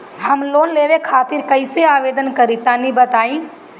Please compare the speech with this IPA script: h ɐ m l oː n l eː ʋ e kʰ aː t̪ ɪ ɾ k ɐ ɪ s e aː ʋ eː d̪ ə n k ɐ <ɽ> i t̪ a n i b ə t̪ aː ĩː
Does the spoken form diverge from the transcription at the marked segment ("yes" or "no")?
yes